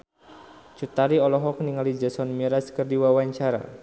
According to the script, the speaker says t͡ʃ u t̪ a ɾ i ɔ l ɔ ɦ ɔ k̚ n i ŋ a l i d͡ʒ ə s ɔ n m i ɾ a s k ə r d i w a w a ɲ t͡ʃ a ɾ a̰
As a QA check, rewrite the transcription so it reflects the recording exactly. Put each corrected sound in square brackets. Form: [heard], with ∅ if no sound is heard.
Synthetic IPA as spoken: t͡ʃ u t̪ a ɾ i ɔ l ɔ ɦ ɔ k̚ n i ŋ a l i d͡ʒ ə s ɔ n m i ɾ a s k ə r d i w a w a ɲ t͡ʃ a ɾ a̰